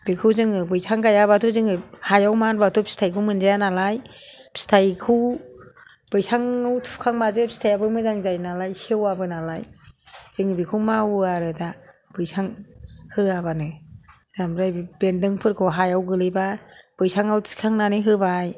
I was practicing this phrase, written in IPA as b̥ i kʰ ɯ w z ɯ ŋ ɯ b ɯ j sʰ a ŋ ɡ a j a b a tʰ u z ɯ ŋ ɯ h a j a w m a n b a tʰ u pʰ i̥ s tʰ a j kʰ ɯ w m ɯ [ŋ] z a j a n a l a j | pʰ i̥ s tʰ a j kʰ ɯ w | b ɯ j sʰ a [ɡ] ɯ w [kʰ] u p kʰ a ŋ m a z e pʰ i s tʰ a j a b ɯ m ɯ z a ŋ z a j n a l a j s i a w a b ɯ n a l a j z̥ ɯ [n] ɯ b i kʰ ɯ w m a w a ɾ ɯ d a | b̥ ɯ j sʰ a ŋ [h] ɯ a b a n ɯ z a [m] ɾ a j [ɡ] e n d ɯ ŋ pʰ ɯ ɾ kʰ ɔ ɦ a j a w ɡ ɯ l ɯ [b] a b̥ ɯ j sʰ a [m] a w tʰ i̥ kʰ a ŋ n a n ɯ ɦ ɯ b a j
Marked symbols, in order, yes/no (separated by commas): no, no, no, no, yes, yes, no, yes, no